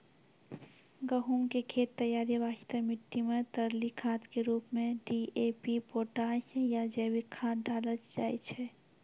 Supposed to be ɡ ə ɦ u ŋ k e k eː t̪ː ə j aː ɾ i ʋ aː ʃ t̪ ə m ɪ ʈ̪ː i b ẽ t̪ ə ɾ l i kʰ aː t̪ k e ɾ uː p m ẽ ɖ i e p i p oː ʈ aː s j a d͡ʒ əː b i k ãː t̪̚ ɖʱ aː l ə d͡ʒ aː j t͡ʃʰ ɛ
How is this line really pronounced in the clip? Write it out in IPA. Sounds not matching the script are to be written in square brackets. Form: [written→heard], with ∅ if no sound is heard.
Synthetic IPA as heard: ɡ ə ɦ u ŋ k e [k→kʰ] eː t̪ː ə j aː ɾ i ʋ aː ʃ t̪ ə m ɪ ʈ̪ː i [b→m] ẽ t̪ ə ɾ l i kʰ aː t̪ k e ɾ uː p m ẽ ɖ i e p i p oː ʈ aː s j a d͡ʒ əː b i [k→kʰ] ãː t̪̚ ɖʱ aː l ə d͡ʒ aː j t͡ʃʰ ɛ

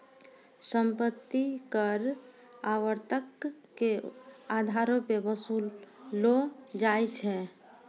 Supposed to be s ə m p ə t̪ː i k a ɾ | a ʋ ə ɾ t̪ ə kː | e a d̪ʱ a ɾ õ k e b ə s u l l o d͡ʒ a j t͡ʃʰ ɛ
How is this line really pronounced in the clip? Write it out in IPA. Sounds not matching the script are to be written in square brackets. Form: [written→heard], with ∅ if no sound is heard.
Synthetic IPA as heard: s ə m p ə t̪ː i k [a→ə] ɾ | a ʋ ə ɾ t̪ ə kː | e a d̪ʱ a ɾ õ [k→p] e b ə s u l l o d͡ʒ a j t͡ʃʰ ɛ

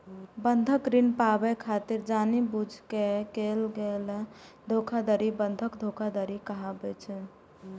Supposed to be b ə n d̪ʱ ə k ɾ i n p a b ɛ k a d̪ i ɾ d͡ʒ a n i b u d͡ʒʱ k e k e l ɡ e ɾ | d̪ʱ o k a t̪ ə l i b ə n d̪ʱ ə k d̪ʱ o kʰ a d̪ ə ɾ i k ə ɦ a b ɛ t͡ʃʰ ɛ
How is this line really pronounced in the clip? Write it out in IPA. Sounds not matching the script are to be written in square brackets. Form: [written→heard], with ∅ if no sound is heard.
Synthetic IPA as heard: b ə n d̪ʱ ə k ɾ i n p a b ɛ [k→kʰ] a [d̪→t̪] i ɾ d͡ʒ a n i b u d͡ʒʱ k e k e l ɡ e [ɾ→l] | d̪ʱ o [k→kʰ] a [t̪→d̪] ə [l→ɾ] i b ə n d̪ʱ ə k d̪ʱ o kʰ a d̪ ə ɾ i k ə ɦ a b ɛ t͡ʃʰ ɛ

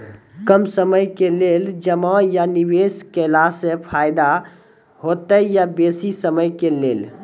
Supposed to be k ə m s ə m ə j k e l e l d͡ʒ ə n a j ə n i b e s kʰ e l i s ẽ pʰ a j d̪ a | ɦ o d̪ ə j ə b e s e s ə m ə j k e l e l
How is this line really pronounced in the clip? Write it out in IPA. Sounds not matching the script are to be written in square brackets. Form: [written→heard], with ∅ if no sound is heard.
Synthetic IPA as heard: k ə m s ə m ə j k e l e l d͡ʒ ə [n→m] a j [ə→a] n i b e s [kʰ→k] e l [i→a] s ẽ pʰ a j d̪ a | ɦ o [d̪→t̪] ə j [ə→a] b e s [e→i] s ə m ə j k e l e l

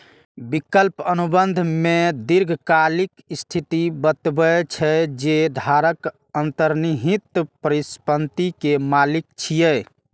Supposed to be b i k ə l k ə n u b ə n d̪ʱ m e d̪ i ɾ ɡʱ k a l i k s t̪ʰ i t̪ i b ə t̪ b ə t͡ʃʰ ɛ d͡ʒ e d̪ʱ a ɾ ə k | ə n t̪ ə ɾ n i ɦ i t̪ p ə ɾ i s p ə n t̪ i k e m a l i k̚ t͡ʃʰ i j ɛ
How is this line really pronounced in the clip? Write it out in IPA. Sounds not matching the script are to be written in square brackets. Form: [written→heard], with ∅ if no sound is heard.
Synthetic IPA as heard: b i k ə l [k→p] ə n u b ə n d̪ʱ m e d̪ i ɾ ɡʱ k a l i k s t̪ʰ i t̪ i b ə t̪ b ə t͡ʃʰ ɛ d͡ʒ e d̪ʱ a ɾ ə k | ə n t̪ ə ɾ n i ɦ i t̪ p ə ɾ i s p ə n t̪ i k e m a l i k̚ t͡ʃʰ i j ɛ

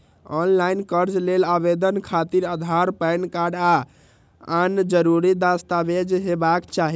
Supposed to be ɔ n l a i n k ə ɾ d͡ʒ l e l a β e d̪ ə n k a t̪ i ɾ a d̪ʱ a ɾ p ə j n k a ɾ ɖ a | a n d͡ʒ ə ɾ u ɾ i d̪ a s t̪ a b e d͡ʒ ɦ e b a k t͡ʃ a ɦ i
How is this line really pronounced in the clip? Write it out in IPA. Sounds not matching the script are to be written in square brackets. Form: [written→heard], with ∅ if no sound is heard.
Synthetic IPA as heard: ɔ n l a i n k ə ɾ d͡ʒ l e l a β e d̪ ə n [k→kʰ] a t̪ i ɾ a d̪ʱ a ɾ p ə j n k a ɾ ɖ a | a n d͡ʒ ə ɾ u ɾ i d̪ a s t̪ a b e d͡ʒ ɦ e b a k t͡ʃ a ɦ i

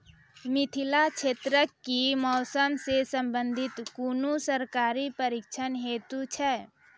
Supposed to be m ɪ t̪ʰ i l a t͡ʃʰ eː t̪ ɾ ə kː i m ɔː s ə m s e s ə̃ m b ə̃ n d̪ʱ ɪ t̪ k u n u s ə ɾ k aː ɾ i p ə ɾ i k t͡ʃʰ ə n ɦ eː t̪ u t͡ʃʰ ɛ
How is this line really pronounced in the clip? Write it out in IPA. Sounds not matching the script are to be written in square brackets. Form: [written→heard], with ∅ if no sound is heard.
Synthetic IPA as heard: m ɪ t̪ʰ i l a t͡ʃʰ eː t̪ ɾ ə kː i m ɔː s ə m s e s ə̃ m b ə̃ n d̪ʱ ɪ t̪ k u n u s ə ɾ k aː ɾ i p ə ɾ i k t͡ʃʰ ə n ɦ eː t̪ u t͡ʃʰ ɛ

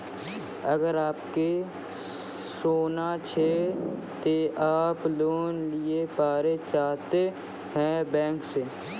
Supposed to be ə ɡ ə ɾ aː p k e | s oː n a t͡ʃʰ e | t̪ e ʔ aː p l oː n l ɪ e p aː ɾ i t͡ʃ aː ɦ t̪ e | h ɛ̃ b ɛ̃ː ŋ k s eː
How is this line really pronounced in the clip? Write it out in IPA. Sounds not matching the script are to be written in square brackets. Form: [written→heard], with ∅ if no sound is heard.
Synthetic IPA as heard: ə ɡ ə ɾ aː p k e | s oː n a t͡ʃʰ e | t̪ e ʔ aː p l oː n l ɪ e p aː ɾ [i→e] t͡ʃ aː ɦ t̪ e | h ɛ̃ b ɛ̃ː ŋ k s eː

